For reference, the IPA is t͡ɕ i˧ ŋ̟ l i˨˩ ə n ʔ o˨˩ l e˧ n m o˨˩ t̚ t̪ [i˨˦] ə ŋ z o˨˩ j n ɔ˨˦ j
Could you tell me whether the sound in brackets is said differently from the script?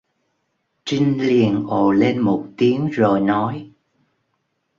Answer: no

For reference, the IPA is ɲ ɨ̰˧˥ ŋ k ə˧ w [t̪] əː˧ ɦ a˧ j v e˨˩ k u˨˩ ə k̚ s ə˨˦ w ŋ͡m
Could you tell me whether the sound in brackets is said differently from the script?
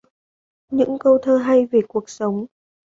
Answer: yes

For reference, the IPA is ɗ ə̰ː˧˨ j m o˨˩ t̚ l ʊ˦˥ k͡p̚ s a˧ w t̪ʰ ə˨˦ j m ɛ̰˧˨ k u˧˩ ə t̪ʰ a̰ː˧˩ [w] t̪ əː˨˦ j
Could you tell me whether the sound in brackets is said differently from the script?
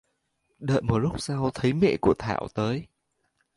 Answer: no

